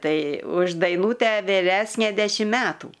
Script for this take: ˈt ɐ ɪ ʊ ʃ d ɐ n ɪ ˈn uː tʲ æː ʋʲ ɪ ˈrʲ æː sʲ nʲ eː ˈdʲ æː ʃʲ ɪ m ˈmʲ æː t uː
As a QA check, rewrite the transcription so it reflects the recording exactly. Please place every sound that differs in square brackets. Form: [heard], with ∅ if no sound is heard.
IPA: ˈt ɐ ɪ ʊ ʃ d ɐ [∅] ɪ ˈn uː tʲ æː ʋʲ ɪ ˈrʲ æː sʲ nʲ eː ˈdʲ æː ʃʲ ɪ m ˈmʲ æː t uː